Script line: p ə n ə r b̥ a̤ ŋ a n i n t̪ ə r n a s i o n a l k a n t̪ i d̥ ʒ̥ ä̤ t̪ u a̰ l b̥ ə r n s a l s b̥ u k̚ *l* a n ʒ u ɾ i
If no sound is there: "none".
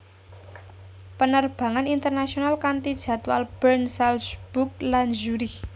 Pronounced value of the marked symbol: l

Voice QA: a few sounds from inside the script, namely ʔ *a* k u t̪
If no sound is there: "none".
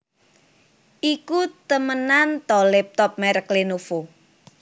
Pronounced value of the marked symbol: i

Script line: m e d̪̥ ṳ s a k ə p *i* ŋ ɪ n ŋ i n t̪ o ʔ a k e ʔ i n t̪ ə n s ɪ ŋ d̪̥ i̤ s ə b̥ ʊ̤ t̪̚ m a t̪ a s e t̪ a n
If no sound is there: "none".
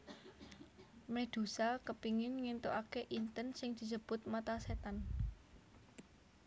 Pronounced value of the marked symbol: i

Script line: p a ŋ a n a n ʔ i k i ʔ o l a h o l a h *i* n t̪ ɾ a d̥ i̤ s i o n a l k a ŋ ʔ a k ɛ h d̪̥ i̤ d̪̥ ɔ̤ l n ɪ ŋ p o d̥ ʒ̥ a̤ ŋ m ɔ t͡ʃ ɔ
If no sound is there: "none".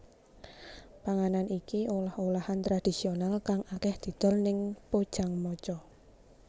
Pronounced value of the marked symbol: a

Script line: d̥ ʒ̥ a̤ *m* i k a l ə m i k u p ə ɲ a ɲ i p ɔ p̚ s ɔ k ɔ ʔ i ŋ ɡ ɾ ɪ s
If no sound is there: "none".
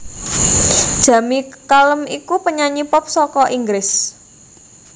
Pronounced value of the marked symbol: m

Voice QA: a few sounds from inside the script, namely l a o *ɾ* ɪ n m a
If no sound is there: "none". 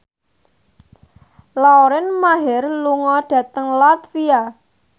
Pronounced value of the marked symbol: ɾ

